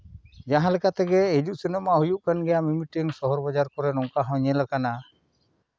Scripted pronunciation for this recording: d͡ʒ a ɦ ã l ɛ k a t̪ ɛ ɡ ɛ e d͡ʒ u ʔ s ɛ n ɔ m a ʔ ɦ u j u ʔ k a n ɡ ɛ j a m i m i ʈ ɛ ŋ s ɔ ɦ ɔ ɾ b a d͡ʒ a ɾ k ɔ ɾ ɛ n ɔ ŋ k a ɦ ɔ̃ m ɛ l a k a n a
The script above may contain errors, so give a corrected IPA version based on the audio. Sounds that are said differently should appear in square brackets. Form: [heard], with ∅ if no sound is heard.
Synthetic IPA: d͡ʒ a ɦ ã l ɛ k a t̪ ɛ ɡ ɛ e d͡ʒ u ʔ s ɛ n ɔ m a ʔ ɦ u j u ʔ k a n ɡ ɛ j a m i m i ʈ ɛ ŋ s ɔ ɦ ɔ ɾ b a d͡ʒ a ɾ k ɔ ɾ ɛ n ɔ ŋ k a ɦ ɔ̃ [ɲ] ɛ l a k a n a